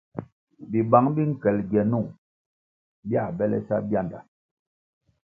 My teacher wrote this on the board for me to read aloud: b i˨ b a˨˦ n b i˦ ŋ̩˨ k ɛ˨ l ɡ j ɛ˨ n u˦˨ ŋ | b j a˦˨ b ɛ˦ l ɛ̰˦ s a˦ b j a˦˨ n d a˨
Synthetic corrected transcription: b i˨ b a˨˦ ŋ b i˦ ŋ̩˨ k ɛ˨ l ɡ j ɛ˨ n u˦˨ ŋ | b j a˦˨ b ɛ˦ l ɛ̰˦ s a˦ b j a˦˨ n d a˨